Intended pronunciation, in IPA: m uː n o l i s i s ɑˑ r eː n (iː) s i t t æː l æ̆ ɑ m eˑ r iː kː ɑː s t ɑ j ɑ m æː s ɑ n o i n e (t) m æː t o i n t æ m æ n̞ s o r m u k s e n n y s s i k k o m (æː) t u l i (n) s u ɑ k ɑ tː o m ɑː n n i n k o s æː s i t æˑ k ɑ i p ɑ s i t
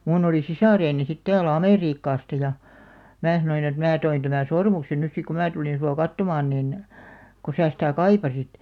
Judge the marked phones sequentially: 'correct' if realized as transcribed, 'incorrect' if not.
incorrect, correct, correct, correct

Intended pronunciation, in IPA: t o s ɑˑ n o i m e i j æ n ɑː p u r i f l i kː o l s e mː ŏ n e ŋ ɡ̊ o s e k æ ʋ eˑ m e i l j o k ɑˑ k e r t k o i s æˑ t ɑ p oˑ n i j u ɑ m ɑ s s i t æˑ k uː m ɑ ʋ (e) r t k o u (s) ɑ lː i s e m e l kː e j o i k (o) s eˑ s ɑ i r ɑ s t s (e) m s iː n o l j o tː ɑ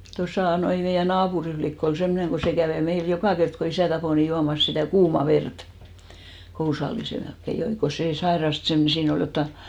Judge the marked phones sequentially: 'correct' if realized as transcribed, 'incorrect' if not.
correct, correct, correct, correct

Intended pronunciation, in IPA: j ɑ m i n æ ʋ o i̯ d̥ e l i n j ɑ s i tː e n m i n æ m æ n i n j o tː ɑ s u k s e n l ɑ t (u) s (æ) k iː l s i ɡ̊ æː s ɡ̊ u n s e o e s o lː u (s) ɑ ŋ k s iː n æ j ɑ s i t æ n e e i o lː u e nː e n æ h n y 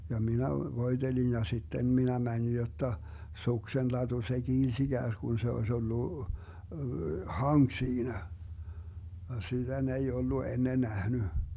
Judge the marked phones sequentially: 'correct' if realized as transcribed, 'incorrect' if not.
correct, incorrect, incorrect

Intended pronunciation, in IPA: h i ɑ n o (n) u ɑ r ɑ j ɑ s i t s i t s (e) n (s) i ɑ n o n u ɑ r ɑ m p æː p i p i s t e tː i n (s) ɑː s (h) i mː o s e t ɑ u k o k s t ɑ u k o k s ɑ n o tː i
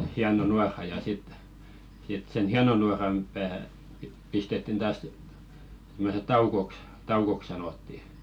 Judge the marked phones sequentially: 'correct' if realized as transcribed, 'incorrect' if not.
correct, correct, incorrect, incorrect, incorrect

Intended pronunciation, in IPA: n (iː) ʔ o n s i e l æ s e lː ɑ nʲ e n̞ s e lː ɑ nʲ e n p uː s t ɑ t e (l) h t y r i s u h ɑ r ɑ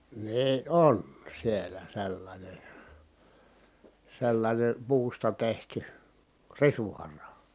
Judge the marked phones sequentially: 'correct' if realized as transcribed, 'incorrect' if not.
correct, incorrect

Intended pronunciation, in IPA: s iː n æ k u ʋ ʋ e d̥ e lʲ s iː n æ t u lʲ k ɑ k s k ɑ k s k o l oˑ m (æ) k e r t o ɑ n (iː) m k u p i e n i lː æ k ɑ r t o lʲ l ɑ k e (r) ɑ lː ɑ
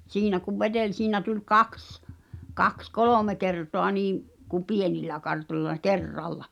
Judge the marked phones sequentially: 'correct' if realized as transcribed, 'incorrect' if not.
incorrect, correct, incorrect

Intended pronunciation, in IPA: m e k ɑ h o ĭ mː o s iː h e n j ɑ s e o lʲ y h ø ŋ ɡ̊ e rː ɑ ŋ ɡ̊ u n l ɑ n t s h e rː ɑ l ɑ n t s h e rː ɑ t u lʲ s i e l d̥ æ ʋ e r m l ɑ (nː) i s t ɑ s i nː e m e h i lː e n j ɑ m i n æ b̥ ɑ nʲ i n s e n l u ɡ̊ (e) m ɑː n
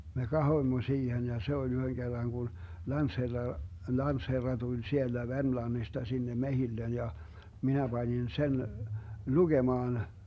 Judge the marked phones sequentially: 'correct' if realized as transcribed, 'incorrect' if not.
correct, correct

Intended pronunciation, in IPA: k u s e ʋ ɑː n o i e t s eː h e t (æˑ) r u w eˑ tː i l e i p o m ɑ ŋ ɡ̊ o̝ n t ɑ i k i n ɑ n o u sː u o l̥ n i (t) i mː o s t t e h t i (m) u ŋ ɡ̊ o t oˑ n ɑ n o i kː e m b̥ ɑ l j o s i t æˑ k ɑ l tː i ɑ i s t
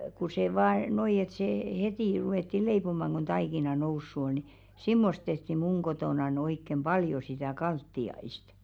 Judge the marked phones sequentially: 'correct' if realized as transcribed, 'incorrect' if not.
incorrect, incorrect, correct

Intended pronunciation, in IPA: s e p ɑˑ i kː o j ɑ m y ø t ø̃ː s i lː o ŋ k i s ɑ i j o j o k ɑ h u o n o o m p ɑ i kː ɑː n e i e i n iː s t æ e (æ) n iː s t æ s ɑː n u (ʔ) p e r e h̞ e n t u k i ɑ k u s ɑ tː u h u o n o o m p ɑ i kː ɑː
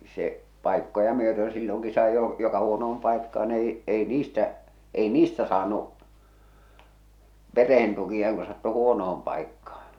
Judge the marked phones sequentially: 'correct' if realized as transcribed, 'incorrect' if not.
incorrect, correct

